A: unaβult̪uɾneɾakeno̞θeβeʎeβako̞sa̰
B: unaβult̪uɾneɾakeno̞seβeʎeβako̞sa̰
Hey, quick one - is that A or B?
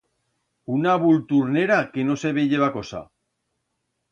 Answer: B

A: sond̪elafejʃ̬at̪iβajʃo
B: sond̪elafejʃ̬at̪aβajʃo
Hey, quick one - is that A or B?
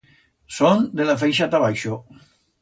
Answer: B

